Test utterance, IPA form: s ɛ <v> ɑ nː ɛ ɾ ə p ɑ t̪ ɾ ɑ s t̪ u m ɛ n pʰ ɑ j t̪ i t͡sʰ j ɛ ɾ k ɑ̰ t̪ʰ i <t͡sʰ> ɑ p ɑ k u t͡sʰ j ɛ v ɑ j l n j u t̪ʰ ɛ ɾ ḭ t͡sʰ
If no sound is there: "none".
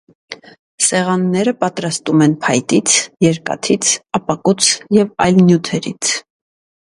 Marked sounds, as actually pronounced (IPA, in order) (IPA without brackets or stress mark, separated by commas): ʁ, t͡sʰ